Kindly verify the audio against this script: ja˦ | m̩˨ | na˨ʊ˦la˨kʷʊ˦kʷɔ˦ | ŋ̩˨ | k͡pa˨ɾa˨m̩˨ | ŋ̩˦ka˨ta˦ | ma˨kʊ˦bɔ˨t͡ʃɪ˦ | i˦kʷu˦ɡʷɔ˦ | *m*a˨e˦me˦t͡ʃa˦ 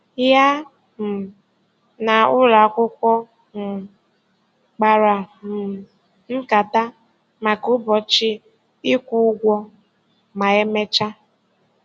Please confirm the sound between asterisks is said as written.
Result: yes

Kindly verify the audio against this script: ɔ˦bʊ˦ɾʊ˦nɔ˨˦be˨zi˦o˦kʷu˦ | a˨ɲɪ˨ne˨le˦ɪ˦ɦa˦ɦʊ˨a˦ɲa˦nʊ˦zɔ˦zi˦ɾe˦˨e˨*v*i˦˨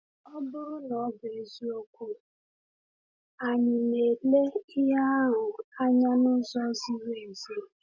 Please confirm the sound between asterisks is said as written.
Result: no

